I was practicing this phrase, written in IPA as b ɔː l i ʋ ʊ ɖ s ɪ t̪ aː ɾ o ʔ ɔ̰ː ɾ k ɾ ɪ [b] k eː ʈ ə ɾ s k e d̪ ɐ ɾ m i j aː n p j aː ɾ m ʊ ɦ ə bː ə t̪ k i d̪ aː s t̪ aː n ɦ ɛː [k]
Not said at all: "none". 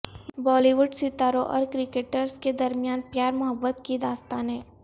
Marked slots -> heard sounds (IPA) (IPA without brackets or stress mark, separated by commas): none, none